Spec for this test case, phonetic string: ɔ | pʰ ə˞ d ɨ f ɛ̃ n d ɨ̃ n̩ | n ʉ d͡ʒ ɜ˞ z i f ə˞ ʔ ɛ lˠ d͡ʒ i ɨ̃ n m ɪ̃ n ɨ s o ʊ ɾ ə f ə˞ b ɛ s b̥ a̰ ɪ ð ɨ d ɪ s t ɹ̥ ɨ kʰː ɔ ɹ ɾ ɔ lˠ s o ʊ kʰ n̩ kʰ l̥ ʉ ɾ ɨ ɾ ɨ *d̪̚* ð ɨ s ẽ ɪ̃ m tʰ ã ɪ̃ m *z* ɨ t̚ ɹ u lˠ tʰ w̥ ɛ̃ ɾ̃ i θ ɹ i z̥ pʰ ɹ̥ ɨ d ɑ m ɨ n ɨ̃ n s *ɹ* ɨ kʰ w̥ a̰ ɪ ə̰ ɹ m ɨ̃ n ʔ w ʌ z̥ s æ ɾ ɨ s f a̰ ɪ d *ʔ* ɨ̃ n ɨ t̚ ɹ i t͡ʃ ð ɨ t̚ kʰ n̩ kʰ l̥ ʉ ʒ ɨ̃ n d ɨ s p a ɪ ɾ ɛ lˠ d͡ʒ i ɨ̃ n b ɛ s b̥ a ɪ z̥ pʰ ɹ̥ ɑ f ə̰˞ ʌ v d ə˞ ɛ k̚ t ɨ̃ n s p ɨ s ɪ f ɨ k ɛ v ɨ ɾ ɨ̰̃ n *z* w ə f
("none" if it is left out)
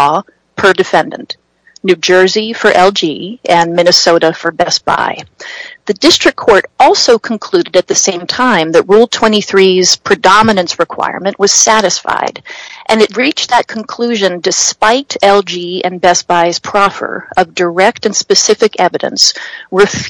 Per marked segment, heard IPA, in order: t̪̚, ð, ɹ, ʔ, s

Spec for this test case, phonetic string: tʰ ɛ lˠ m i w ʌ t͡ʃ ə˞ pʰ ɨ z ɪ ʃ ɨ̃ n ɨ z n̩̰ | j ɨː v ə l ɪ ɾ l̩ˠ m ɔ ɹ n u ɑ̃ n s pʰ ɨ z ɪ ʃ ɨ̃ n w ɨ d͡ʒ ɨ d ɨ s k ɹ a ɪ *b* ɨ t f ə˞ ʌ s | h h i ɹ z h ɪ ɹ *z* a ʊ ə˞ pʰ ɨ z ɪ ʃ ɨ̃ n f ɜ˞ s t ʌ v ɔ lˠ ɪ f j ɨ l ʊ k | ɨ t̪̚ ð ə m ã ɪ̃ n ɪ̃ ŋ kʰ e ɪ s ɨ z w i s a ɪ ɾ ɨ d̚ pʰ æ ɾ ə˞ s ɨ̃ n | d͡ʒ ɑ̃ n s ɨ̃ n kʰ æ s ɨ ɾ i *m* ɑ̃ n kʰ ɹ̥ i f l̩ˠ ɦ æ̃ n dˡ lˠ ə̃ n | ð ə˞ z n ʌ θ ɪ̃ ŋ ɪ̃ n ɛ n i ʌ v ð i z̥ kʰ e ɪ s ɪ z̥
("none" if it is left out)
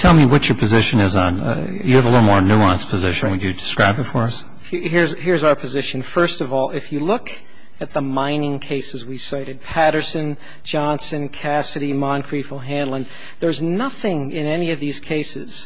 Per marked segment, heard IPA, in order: b, z, m

